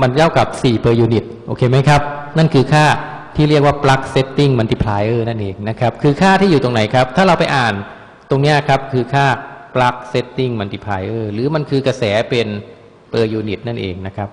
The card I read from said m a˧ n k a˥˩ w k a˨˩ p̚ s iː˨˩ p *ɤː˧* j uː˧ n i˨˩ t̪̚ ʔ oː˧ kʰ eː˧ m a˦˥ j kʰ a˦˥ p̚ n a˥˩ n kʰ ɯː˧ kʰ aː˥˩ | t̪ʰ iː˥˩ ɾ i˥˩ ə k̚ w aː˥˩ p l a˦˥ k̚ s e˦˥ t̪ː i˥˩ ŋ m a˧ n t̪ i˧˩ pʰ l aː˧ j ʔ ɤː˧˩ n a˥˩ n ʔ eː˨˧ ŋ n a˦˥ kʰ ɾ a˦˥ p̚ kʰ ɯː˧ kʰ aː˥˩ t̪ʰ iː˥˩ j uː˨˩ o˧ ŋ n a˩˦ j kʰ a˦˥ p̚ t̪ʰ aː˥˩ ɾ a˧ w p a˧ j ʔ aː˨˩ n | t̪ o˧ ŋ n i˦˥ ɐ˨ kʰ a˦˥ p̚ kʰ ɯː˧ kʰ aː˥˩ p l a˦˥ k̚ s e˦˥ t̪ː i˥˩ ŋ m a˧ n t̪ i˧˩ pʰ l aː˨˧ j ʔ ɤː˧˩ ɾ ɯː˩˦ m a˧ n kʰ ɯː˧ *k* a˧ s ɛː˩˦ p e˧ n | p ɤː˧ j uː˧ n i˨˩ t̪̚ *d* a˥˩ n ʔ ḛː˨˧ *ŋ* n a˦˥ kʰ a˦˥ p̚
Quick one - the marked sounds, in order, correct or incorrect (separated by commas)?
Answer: correct, correct, incorrect, correct